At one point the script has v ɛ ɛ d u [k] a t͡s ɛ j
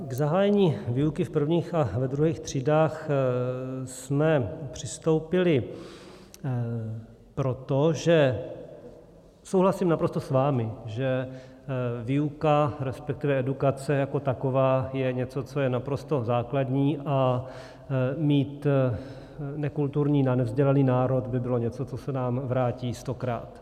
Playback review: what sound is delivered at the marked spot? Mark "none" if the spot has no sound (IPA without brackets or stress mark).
k